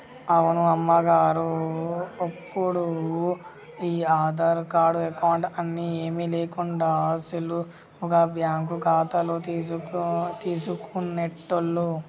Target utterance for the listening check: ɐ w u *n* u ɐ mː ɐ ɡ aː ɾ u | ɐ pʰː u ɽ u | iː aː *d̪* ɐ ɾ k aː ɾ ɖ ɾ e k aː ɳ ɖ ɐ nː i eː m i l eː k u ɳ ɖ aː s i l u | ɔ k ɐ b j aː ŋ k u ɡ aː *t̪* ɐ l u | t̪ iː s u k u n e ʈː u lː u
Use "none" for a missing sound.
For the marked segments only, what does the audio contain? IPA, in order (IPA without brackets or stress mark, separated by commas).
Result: n, d̪, t̪